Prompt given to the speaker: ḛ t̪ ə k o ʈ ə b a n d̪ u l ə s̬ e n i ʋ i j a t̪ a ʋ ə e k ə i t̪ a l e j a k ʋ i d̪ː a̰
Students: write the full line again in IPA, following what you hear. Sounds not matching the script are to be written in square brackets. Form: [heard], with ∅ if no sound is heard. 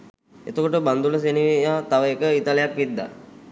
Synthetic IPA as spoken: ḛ t̪ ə k o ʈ ə b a n d̪ u l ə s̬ e n i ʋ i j a t̪ a ʋ ə e k ə i t̪ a l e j a k ʋ i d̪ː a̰